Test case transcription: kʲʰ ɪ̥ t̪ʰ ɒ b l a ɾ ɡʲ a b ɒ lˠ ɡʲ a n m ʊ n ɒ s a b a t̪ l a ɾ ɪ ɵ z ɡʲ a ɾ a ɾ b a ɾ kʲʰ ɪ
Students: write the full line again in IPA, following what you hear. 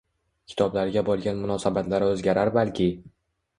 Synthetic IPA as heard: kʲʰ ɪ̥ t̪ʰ ɒ b l a ɾ ɡʲ a b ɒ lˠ ɡʲ a n m ʊ n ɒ s a b a t̪ l a ɾ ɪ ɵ z ɡʲ a ɾ a ɾ b a l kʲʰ ɪ